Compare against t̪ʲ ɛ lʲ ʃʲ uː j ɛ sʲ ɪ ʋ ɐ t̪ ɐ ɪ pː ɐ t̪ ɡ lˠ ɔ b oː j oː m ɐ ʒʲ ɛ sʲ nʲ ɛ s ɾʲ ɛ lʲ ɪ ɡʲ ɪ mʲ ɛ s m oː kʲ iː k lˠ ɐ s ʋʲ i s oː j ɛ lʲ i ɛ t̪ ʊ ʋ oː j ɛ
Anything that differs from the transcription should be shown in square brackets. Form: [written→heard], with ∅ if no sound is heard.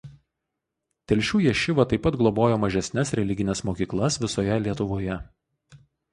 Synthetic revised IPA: t̪ʲ ɛ lʲ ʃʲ uː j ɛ [sʲ→ʃʲ] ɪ ʋ ɐ t̪ ɐ ɪ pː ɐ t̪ ɡ lˠ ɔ b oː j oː m ɐ ʒʲ ɛ sʲ nʲ ɛ s ɾʲ ɛ lʲ ɪ ɡʲ ɪ [mʲ→nʲ] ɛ s m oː kʲ iː k lˠ ɐ s ʋʲ [i→ɪ] s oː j ɛ lʲ i ɛ t̪ ʊ ʋ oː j ɛ